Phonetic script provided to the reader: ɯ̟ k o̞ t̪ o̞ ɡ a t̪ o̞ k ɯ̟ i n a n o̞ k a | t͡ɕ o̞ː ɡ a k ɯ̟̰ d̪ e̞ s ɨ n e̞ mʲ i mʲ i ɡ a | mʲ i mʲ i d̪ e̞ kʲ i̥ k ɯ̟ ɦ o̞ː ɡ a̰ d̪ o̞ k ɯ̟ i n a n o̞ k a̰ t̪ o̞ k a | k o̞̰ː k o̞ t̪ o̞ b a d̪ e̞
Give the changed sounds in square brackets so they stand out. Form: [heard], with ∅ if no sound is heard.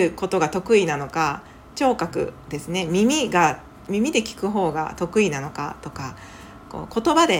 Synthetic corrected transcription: ɯ̟ k o̞ t̪ o̞ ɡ a t̪ o̞ k ɯ̟ i n a n o̞ k a | t͡ɕ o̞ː [k] a k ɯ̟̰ d̪ e̞ s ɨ n e̞ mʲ i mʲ i ɡ a | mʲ i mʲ i d̪ e̞ kʲ i̥ k ɯ̟ ɦ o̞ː ɡ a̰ [t̪] o̞ k ɯ̟ i n a n o̞ k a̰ t̪ o̞ k a | k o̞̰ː k o̞ t̪ o̞ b a d̪ e̞